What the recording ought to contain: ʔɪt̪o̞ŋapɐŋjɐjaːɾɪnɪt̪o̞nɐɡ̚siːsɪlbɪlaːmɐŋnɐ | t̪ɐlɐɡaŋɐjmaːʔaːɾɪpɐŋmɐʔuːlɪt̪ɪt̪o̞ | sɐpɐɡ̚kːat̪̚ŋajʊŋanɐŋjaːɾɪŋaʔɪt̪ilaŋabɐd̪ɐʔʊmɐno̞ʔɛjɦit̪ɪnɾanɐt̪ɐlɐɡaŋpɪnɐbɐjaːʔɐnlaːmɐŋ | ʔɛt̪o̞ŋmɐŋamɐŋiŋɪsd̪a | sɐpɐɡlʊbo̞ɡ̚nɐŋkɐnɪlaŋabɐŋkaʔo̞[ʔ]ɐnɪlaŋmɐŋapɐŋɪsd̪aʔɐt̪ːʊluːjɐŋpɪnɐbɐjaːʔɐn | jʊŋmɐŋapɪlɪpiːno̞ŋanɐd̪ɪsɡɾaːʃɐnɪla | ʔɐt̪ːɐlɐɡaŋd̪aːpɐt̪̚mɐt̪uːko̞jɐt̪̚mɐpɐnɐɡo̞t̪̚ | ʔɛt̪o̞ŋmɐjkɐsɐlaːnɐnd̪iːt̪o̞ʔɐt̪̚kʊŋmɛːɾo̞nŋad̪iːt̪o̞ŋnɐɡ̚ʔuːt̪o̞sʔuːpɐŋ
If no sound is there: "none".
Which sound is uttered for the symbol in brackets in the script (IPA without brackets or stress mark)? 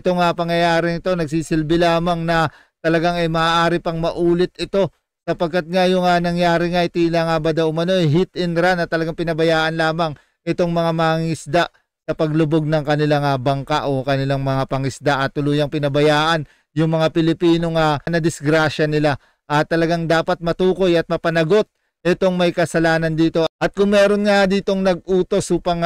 k